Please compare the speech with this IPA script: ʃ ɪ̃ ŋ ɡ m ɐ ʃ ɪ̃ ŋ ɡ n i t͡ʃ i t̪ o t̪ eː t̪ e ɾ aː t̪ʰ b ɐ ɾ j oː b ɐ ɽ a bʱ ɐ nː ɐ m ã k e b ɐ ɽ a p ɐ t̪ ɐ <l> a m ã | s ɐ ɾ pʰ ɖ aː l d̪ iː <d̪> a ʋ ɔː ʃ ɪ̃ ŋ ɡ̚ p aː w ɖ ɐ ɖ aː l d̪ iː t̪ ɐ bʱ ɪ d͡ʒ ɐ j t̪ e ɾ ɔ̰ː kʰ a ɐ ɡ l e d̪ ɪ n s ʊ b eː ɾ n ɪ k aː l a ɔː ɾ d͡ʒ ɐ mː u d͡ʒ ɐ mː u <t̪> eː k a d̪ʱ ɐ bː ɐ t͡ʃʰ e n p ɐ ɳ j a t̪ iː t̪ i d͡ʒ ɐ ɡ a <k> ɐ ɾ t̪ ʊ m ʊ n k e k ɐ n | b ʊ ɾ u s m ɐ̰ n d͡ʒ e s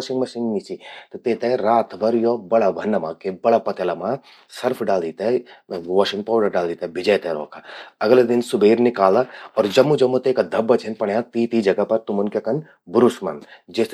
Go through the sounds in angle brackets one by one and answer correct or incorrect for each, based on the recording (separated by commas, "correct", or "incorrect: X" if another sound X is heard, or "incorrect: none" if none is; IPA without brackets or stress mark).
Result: correct, incorrect: t̪, correct, incorrect: p